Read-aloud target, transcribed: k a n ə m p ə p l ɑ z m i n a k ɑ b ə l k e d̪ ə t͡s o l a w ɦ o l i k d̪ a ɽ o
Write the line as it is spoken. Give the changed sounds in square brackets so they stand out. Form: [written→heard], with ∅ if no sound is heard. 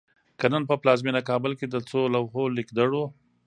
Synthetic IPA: k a n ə [m→n] p ə p l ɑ z m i n a k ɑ b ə l k e d̪ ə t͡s o l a w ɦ o l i k d̪ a ɽ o